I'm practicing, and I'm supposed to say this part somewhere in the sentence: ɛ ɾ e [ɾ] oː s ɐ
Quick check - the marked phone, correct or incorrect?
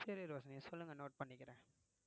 correct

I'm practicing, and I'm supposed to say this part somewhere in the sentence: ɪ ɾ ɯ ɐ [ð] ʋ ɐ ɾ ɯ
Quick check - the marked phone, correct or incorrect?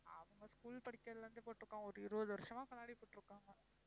correct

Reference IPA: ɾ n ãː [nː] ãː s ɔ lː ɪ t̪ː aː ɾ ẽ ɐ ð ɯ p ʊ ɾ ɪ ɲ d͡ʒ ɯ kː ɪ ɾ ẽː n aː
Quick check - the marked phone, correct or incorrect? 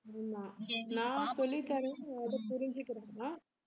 incorrect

